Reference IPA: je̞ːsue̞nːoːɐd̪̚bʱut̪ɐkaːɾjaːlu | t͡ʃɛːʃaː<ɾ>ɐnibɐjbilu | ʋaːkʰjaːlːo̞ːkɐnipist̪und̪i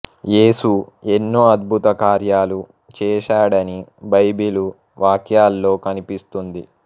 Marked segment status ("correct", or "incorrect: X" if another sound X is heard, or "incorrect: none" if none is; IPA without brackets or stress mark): incorrect: ɽ